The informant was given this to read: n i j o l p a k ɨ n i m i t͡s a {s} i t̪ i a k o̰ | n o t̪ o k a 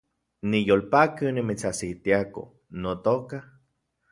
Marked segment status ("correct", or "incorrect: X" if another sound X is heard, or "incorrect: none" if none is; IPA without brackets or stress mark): correct